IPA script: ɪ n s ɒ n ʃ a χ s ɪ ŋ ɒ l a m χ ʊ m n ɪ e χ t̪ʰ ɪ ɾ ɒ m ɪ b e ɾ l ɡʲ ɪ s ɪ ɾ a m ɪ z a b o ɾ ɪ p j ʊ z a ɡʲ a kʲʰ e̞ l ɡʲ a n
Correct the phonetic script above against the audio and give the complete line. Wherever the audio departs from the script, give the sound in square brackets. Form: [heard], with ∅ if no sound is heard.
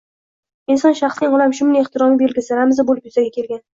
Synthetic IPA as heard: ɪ n s ɒ n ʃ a χ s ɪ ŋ ɒ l a m [ʃ] ʊ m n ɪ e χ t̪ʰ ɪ ɾ ɒ m ɪ b e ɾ l ɡʲ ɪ s ɪ ɾ a m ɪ z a b o [l] ɪ p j ʊ z a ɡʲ a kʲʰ e̞ l ɡʲ a n